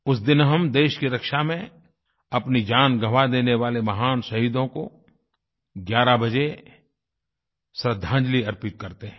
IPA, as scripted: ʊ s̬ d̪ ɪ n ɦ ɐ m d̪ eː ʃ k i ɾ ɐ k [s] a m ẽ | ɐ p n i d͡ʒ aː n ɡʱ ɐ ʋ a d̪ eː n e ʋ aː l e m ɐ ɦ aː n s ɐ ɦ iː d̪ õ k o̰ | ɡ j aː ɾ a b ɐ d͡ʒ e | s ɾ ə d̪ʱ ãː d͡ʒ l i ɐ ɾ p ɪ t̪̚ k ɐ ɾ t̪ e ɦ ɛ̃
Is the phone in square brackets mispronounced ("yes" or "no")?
yes